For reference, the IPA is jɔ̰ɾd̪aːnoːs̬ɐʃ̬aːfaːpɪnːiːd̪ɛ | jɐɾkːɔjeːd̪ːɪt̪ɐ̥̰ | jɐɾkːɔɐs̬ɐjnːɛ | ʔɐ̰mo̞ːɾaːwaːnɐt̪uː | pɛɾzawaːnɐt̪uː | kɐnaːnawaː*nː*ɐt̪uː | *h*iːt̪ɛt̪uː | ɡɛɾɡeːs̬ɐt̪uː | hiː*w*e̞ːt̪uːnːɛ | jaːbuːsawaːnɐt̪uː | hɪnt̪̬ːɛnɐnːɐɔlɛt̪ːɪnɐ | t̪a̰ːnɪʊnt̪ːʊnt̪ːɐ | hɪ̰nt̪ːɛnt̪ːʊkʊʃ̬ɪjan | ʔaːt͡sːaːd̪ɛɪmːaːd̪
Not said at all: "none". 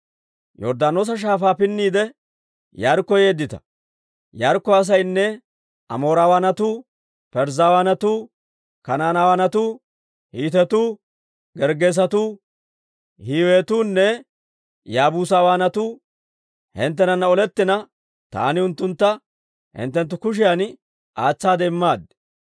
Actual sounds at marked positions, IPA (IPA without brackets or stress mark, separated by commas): n, h, w